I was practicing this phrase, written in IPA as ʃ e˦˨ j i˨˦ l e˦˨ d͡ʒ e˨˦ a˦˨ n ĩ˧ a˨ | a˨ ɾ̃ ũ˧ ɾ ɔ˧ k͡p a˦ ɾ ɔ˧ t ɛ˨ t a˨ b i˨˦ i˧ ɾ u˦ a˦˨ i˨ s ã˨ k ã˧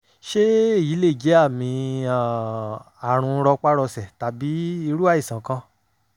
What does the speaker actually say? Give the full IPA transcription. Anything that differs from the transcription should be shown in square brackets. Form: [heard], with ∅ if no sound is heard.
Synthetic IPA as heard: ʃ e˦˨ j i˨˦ l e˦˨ d͡ʒ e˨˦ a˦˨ [m] ĩ˧ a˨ | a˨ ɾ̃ ũ˧ ɾ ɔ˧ k͡p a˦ ɾ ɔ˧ [s] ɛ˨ t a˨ b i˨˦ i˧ ɾ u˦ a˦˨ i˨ s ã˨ k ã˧